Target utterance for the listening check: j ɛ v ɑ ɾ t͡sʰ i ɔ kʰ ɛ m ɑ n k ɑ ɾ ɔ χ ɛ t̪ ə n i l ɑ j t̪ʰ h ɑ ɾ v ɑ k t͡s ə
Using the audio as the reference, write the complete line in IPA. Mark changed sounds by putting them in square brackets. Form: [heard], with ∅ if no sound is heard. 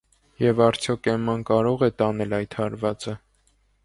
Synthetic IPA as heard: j ɛ v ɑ ɾ t͡sʰ [j] ɔ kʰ ɛ m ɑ n k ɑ ɾ ɔ [ʁ] ɛ t̪ [ɑ] n [ɛ] l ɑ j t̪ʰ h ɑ ɾ v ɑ [∅] t͡s ə